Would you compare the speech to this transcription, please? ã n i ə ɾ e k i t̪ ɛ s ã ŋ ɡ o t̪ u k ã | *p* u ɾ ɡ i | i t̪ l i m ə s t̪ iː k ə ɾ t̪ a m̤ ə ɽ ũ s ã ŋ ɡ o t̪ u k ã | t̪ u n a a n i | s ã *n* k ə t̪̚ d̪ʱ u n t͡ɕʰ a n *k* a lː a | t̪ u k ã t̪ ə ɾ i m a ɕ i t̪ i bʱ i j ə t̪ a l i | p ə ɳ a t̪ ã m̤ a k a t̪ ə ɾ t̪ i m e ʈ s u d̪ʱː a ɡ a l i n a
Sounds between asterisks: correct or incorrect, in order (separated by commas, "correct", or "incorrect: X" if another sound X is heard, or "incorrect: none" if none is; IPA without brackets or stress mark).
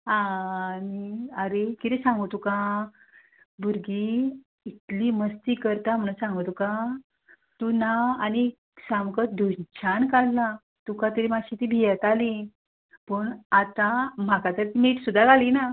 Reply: incorrect: b, incorrect: m, correct